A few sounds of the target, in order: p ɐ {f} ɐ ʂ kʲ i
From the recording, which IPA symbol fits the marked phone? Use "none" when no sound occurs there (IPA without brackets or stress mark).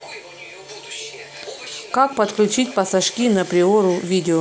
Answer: s